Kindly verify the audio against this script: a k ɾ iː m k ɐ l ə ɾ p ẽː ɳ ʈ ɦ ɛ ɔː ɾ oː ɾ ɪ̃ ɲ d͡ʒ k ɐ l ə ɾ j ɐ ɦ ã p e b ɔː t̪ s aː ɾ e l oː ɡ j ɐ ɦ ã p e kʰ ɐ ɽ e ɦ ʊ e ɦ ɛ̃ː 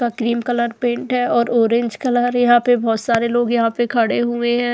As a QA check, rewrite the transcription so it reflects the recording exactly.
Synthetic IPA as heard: a k ɾ iː m k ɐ l ə ɾ p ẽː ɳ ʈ ɦ ɛ ɔː ɾ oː ɾ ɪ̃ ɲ d͡ʒ k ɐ l ə ɾ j ɐ ɦ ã p e b ɔː t̪ s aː ɾ e l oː ɡ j ɐ ɦ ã p e kʰ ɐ ɽ e ɦ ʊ e ɦ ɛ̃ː